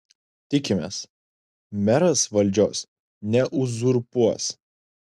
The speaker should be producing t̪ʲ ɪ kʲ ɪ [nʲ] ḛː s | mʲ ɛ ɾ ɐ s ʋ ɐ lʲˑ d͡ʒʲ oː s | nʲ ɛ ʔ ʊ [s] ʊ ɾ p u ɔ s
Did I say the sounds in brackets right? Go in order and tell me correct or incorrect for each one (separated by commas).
incorrect, incorrect